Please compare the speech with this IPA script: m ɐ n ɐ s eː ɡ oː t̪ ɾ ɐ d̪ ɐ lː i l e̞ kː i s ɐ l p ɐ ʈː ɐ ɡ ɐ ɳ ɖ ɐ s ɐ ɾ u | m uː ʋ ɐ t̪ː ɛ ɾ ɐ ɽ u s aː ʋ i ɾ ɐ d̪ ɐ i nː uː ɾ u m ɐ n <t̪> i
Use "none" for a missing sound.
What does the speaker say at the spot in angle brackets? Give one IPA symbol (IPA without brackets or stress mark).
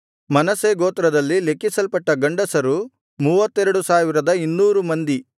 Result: d̪